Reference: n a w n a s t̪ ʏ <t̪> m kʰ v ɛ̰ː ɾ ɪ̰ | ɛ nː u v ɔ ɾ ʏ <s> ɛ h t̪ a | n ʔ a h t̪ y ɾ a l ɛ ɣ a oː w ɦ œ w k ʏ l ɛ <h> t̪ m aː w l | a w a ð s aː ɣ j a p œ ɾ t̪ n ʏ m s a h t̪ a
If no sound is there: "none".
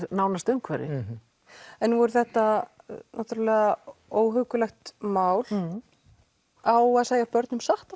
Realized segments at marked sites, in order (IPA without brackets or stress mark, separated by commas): none, θ, x